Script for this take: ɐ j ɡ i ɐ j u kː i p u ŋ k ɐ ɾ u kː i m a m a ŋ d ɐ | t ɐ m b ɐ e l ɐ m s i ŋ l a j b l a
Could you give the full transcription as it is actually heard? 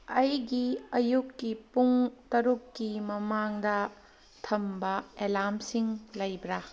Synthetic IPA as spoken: ɐ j ɡ i ɐ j u kː i p u ŋ t ɐ ɾ u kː i m ɐ m a ŋ d ɐ | tʰ ɐ m b ɐ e l a m s i ŋ l ɐ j b ɾ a